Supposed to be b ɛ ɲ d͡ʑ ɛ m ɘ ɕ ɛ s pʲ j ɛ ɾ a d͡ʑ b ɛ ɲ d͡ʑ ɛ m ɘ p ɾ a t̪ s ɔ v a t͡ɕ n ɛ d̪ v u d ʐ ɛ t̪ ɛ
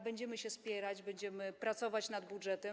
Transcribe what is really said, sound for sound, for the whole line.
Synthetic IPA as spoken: b ɛ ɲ d͡ʑ ɛ m ɘ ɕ ɛ s pʲ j ɛ ɾ a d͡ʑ b ɛ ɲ d͡ʑ ɛ m ɘ p ɾ a t̪ s ɔ v a t͡ɕ n a d̪ b u d ʐ ɛ t̪ ɛ